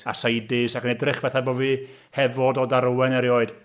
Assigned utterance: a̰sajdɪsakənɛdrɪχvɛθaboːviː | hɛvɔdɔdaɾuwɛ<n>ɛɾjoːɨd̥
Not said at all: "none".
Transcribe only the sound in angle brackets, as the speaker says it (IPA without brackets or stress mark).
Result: n